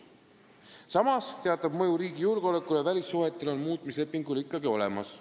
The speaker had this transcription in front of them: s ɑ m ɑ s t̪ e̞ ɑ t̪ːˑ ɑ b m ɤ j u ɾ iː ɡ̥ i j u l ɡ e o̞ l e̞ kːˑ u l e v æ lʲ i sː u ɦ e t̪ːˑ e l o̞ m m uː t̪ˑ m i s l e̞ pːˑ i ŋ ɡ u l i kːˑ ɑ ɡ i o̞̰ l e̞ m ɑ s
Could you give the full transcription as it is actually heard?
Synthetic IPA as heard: s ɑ m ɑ s t̪ e̞ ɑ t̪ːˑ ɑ b m ɤ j u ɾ iː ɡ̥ i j u l ɡ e o̞ l e̞ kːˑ u l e v æ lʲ i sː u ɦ e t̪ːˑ e l o̞ n m uː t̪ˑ m i s l e̞ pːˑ i ŋ ɡ u l i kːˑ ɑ ɡ i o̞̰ l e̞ m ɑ s